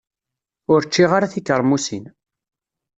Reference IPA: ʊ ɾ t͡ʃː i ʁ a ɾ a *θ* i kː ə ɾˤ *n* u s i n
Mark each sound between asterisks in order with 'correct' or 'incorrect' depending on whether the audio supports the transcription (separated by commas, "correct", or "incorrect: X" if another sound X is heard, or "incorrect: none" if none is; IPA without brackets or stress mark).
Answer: correct, incorrect: m